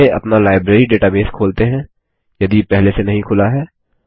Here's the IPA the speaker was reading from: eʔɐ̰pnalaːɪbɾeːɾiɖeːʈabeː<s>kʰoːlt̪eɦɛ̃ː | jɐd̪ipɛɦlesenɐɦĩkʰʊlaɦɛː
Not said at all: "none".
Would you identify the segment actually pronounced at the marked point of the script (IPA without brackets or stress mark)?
s